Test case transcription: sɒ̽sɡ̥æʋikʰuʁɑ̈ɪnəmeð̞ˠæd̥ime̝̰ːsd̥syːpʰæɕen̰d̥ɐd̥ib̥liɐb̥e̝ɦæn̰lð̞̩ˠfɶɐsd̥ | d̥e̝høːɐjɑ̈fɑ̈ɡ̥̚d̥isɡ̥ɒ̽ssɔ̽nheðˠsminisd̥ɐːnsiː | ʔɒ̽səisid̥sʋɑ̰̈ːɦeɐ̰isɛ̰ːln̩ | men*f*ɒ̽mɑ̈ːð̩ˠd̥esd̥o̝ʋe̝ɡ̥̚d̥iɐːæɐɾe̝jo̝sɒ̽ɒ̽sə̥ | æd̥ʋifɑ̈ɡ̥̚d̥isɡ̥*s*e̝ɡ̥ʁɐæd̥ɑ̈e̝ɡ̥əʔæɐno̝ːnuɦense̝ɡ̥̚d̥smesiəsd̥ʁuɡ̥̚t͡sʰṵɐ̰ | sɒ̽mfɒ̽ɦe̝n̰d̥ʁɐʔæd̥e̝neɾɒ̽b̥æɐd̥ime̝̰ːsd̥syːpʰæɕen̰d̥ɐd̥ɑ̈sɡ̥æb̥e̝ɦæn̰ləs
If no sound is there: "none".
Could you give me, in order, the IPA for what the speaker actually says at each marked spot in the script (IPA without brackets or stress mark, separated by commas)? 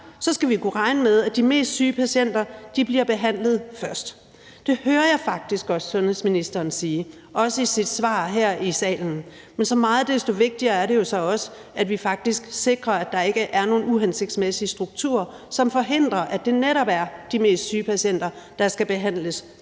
s, s